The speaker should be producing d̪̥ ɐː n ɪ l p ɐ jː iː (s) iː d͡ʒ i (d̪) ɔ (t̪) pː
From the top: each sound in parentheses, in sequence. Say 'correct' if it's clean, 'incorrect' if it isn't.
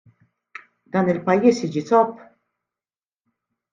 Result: correct, incorrect, incorrect

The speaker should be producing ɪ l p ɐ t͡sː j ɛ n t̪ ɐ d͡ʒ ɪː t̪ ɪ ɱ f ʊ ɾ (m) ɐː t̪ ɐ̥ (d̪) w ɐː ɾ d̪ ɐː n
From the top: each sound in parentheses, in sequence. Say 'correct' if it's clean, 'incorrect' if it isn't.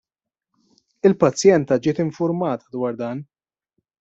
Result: correct, correct

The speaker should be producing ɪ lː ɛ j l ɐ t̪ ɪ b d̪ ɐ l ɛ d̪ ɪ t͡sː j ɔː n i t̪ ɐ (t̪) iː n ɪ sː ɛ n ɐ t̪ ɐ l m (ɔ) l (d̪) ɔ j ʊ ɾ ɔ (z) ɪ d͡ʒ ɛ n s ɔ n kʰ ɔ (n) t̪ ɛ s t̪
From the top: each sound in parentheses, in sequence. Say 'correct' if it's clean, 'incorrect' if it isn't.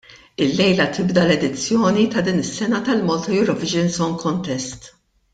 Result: incorrect, correct, incorrect, incorrect, correct

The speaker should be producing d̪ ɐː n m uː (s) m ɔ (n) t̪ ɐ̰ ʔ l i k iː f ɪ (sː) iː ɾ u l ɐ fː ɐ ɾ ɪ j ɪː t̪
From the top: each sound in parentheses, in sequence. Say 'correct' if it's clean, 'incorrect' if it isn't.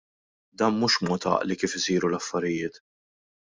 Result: incorrect, incorrect, incorrect

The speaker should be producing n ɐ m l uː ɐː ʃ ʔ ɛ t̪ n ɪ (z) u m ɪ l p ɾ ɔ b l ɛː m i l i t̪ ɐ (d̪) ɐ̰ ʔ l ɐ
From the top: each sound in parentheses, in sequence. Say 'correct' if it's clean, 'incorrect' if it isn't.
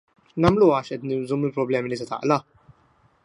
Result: correct, incorrect

